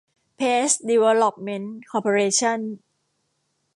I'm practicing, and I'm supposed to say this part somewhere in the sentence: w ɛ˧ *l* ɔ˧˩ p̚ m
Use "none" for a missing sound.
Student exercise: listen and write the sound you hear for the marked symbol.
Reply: l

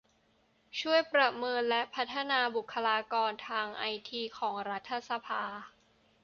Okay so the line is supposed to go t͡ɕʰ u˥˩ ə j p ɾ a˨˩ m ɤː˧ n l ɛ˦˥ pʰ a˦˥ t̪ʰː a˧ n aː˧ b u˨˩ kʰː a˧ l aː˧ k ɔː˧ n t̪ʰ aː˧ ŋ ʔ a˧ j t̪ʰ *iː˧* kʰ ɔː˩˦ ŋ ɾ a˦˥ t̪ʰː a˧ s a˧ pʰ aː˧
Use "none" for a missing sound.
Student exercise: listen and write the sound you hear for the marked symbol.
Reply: iː˧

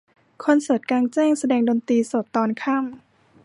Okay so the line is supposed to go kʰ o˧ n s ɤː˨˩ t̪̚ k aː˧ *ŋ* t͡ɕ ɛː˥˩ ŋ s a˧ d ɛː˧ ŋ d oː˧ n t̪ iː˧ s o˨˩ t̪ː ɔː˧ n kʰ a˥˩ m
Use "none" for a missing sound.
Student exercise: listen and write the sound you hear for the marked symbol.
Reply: ŋ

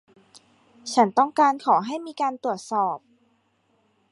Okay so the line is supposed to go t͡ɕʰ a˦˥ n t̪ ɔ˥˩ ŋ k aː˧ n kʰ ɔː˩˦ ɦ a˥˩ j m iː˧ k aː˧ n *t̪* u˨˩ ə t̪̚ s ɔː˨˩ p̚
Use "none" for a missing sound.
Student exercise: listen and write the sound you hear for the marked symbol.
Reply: t̪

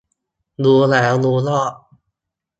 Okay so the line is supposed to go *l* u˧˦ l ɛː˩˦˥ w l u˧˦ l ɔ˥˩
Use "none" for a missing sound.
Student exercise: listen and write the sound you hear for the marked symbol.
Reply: l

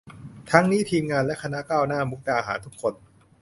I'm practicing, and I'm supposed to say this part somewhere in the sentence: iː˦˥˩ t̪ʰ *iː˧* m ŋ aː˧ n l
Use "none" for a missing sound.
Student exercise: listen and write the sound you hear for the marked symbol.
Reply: iː˧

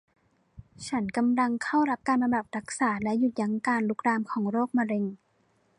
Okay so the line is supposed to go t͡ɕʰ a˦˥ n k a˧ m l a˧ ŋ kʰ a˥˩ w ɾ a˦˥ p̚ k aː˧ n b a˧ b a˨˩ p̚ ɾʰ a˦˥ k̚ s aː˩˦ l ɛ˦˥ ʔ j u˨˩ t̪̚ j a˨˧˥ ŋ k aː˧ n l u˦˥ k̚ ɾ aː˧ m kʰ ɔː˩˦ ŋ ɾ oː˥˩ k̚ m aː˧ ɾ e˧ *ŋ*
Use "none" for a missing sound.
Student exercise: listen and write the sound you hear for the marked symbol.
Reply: ŋ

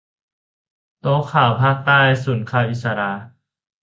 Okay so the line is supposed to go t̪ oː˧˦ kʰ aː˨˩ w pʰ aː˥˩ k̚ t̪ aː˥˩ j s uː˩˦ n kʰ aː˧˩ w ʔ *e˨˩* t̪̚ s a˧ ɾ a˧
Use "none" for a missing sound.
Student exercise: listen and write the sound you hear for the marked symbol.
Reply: i˨˩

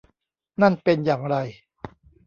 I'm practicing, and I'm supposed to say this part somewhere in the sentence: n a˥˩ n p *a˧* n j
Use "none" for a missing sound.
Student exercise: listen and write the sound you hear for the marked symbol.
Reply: e˧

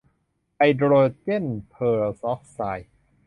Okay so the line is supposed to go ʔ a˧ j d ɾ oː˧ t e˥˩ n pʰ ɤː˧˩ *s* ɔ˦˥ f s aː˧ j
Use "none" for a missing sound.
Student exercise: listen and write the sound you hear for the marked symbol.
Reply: s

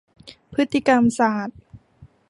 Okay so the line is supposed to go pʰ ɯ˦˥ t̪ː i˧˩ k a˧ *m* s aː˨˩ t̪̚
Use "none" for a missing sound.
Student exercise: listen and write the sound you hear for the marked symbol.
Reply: m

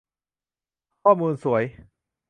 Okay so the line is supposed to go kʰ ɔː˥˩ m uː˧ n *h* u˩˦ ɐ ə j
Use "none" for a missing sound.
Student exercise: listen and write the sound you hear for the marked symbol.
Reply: s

